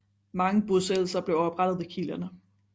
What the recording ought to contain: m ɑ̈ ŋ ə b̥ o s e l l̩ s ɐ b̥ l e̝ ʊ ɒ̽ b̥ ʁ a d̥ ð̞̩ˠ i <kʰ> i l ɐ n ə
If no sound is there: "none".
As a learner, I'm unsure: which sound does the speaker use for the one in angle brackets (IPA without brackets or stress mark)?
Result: kʰ